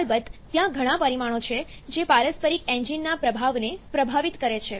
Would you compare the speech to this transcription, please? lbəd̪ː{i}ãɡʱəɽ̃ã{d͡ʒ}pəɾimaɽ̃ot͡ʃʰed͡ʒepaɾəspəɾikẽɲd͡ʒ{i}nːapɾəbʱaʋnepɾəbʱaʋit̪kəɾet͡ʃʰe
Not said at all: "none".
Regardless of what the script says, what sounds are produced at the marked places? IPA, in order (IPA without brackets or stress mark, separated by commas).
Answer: j, none, i